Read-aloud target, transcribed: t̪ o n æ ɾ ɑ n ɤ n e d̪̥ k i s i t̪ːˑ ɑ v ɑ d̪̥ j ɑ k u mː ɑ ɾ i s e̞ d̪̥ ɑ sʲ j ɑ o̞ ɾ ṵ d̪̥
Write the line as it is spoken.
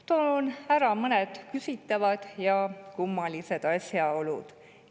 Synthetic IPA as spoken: t̪ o n æ ɾ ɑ m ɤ n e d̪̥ k y s i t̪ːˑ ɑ v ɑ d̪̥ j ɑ k u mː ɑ l i s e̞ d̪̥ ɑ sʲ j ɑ o̞ l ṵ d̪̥